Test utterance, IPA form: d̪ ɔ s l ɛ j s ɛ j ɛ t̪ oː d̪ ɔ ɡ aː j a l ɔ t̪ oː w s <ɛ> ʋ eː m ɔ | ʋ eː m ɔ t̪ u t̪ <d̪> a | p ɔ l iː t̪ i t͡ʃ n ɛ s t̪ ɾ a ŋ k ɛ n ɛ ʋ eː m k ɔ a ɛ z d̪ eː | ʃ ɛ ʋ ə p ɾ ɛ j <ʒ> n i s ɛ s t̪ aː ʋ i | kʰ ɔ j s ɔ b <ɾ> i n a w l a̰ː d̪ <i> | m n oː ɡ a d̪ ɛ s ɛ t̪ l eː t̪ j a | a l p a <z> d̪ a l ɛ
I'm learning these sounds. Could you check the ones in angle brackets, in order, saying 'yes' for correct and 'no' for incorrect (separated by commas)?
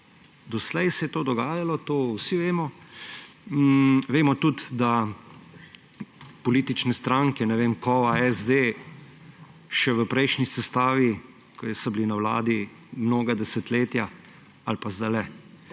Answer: no, yes, no, no, yes, yes